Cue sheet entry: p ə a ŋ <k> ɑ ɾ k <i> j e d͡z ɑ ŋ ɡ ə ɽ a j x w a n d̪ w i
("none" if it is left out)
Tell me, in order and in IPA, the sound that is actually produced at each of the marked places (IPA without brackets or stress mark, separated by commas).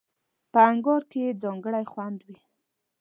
ɡ, e